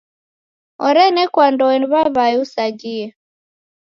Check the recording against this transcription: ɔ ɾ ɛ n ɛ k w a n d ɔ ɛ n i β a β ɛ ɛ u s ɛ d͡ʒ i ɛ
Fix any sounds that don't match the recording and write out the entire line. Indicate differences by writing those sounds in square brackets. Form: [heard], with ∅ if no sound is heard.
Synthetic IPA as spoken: ɔ ɾ ɛ n ɛ k w a n d ɔ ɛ n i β a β [a] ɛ u s [a] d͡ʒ i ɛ